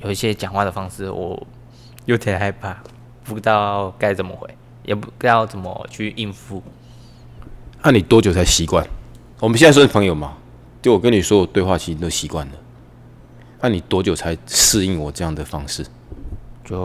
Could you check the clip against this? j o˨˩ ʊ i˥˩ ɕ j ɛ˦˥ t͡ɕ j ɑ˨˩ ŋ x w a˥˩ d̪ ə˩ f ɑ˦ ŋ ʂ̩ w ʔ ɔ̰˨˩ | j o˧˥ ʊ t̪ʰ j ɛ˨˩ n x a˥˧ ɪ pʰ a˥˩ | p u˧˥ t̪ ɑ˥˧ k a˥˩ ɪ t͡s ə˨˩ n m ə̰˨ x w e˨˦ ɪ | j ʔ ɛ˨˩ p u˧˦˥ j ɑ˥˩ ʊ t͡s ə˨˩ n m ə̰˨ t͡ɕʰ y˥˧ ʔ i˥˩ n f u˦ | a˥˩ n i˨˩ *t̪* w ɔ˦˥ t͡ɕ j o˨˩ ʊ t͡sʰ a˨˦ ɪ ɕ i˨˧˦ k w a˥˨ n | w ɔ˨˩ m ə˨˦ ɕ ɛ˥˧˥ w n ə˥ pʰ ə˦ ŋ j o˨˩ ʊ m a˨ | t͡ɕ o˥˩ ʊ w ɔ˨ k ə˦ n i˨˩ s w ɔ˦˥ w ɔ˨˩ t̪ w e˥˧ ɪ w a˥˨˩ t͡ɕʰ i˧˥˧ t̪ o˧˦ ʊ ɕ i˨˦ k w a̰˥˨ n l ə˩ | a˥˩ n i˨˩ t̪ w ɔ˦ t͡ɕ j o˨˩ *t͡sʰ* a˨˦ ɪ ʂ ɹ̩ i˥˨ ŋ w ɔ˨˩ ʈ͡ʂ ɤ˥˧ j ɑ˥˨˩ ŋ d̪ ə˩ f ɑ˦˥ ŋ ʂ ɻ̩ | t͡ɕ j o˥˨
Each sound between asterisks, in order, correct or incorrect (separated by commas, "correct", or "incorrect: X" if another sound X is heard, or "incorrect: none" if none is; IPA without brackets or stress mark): correct, correct